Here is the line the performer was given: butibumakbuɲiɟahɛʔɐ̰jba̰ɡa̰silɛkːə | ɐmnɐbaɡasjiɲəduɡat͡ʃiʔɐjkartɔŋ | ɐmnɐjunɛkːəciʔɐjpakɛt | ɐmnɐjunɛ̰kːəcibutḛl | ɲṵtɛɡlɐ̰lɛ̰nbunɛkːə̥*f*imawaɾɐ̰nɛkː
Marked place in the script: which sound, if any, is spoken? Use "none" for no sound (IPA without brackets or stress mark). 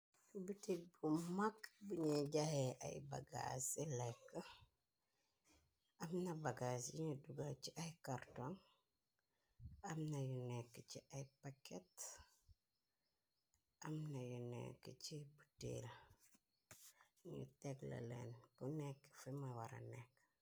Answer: f